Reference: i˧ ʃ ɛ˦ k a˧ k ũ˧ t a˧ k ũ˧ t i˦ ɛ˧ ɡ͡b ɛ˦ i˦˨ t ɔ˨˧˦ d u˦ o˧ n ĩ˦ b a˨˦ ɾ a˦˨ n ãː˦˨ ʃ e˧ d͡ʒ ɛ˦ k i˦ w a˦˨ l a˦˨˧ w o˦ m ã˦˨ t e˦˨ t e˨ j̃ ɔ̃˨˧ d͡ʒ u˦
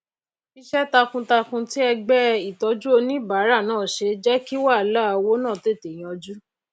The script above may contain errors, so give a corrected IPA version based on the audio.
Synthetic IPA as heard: i˧ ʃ ɛ˦ t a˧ k ũ˧ t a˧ k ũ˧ t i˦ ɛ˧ ɡ͡b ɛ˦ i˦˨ t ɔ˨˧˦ d͡ʒ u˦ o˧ n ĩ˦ b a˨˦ ɾ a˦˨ n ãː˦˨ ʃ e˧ d͡ʒ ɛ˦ k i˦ w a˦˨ l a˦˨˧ w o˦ n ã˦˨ t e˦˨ t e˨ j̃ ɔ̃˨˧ d͡ʒ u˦

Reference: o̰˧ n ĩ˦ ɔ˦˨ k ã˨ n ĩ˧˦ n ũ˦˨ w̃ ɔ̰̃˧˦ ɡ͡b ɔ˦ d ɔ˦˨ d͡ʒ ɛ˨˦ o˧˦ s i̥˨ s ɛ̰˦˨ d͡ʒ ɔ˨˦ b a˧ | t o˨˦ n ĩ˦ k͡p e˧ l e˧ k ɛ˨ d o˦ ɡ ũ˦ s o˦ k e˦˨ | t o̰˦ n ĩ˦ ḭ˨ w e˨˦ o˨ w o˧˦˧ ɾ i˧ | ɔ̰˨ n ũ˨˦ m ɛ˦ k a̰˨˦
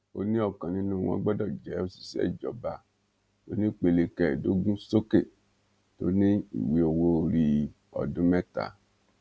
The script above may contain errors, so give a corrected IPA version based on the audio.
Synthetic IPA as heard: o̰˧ n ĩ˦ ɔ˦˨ k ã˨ n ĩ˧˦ n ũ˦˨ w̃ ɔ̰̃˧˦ ɡ͡b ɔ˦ d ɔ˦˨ d͡ʒ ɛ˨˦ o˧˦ s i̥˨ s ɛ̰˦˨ d͡ʒ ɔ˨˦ b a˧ | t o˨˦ n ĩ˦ k͡p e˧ l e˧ k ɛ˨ d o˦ ɡ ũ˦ s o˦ k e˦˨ | t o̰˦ n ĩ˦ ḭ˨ w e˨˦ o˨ w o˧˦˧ ɾ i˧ | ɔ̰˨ d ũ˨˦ m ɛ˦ t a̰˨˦

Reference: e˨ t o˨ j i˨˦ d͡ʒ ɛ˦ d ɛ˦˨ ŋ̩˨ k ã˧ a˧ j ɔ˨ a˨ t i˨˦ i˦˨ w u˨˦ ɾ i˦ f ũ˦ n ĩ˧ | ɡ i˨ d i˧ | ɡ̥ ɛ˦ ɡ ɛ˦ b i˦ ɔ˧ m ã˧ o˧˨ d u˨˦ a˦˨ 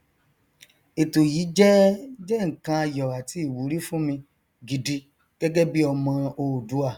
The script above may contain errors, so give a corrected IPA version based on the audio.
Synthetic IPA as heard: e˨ t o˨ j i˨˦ d͡ʒ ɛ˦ d͡ʒ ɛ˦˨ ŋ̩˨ k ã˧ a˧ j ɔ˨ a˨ t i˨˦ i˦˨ w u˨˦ ɾ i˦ f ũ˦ m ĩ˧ | ɡ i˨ d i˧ | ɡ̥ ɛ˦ ɡ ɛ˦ b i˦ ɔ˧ m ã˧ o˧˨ d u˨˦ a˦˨

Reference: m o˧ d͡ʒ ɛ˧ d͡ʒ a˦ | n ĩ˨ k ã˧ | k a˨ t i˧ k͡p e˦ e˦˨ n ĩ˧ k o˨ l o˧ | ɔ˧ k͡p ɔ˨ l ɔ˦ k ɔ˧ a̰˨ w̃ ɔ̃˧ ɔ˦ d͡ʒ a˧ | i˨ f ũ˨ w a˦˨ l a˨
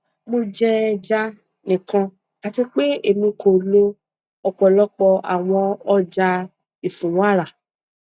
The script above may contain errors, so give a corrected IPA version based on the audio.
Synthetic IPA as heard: m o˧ d͡ʒ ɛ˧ d͡ʒ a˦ | n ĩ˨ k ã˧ | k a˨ t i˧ k͡p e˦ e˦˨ m ĩ˧ k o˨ l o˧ | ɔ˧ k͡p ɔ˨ l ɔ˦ k͡p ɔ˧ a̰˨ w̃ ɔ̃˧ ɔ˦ d͡ʒ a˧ | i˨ f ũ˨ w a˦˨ ɾ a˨

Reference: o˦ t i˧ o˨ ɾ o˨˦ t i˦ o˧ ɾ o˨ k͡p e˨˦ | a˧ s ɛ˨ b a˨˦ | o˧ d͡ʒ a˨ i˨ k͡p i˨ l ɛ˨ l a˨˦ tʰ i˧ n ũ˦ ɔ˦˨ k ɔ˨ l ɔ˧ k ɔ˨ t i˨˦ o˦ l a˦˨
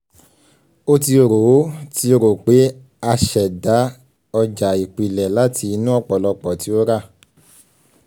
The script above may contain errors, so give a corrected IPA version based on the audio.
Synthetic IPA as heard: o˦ t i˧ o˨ ɾ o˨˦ t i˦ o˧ ɾ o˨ k͡p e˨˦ | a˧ ʃ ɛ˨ d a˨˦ | ɔ˧ d͡ʒ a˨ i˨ k͡p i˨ l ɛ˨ l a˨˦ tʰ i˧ n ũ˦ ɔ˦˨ k͡p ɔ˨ l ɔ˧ k͡p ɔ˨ t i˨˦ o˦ ɾ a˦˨

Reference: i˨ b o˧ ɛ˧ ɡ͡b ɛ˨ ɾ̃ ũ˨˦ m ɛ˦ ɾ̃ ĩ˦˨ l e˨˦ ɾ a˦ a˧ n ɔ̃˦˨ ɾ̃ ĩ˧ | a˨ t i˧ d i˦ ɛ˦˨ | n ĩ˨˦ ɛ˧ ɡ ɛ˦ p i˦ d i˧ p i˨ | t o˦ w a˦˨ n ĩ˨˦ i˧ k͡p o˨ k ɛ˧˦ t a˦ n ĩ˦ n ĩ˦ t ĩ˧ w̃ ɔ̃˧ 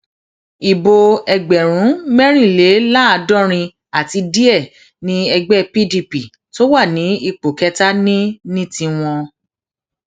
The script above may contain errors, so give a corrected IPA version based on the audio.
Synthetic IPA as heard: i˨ b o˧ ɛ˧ ɡ͡b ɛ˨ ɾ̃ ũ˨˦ m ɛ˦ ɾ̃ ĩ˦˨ l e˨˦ l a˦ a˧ d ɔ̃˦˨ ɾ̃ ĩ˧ | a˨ t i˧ d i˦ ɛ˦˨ | n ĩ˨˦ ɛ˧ ɡ͡b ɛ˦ p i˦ d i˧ p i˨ | t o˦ w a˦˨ n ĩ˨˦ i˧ k͡p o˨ k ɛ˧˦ t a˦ n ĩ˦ n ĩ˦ t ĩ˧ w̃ ɔ̃˧

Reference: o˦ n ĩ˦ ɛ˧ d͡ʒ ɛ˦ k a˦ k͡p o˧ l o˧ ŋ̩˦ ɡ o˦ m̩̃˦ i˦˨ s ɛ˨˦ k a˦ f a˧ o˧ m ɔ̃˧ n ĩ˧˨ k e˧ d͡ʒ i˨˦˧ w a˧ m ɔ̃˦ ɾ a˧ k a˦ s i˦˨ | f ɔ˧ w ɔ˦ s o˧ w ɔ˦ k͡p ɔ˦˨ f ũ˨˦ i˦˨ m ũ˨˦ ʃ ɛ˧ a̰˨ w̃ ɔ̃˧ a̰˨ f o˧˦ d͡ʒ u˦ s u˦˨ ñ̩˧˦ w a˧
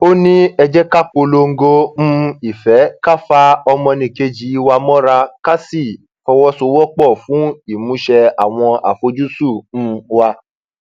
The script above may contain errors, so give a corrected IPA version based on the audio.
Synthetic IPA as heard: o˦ n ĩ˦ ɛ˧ d͡ʒ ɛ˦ k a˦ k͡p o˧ l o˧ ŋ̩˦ ɡ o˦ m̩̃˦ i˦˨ f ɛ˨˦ k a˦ f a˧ ɔ˧ m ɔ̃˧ n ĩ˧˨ k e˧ d͡ʒ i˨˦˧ w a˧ m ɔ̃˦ ɾ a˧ k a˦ s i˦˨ | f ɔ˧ w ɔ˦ s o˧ w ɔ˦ k͡p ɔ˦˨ f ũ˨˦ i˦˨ m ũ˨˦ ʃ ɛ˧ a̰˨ w̃ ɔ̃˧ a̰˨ f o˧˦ d͡ʒ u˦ s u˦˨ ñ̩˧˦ w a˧

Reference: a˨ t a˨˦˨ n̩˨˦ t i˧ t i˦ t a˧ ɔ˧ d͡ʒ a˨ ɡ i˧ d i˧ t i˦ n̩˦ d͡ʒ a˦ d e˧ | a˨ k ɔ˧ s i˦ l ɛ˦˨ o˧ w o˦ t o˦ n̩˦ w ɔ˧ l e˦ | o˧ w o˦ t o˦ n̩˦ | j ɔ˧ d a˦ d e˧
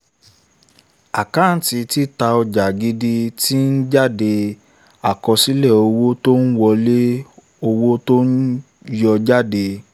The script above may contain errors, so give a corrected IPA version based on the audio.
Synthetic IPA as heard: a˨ k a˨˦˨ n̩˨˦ t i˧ t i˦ t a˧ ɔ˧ d͡ʒ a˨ ɡ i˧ d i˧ t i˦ n̩˦ d͡ʒ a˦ d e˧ | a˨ k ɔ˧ s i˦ l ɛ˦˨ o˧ w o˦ t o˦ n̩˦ w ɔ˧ l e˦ | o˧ w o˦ t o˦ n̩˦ | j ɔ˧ d͡ʒ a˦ d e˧

